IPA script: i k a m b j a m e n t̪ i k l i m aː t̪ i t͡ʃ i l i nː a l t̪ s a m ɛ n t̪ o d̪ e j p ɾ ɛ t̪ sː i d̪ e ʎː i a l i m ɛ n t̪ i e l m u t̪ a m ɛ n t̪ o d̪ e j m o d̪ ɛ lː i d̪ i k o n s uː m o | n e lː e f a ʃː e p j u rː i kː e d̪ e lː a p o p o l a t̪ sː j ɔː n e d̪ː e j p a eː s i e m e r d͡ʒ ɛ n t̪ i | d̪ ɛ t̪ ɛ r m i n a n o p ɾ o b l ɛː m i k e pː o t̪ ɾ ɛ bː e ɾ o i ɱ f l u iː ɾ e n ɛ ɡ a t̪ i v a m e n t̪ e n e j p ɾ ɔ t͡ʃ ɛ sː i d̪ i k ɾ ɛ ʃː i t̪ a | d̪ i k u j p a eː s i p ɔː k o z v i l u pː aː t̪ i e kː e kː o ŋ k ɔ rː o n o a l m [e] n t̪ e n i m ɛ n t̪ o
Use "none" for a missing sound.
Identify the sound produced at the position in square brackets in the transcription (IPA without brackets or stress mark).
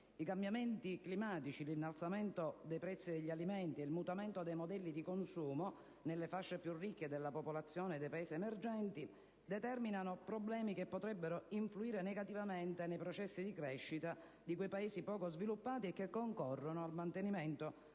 a